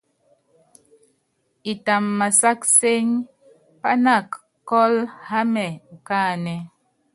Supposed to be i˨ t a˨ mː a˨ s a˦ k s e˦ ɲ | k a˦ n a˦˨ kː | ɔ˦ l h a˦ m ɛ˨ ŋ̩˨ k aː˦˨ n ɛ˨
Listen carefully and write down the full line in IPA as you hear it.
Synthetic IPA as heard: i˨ t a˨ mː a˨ s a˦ k s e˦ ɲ | p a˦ n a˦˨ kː | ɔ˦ l h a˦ m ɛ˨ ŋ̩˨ k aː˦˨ n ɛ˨